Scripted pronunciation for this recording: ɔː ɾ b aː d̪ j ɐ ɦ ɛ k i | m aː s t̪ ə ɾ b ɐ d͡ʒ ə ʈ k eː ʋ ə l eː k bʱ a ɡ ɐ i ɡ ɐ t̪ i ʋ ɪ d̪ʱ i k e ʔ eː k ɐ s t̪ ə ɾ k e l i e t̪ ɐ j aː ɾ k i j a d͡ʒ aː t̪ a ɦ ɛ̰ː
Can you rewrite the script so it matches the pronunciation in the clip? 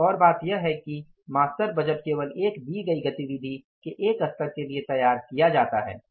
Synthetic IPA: ɔː ɾ b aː t̪ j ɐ ɦ ɛ k i | m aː s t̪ ə ɾ b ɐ d͡ʒ ə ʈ k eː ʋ ə l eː k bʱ i ɡ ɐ i ɡ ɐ t̪ i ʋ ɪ d̪ʱ i k e ʔ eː k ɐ s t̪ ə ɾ k e l i e t̪ ɐ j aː ɾ k i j a d͡ʒ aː t̪ a ɦ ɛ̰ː